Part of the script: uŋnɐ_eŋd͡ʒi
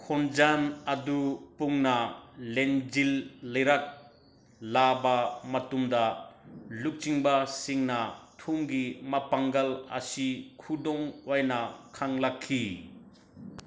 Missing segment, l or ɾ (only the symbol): l